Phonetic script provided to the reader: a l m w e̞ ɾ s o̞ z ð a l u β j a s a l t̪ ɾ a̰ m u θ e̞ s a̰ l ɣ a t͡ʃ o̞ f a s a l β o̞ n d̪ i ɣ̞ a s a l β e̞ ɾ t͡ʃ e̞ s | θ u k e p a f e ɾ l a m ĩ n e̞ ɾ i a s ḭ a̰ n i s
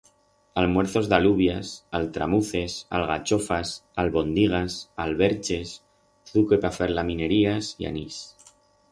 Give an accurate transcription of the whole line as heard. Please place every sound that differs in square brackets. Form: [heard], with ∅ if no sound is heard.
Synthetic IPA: a l m w e̞ ɾ [θ] o̞ z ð a l u β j a s a l t̪ ɾ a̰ m u θ e̞ s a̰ l ɣ a t͡ʃ o̞ f a s a l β o̞ n d̪ i ɣ̞ a s a l β e̞ ɾ t͡ʃ e̞ s | θ u k e p a f e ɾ l a m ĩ n e̞ ɾ i a s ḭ a̰ n i s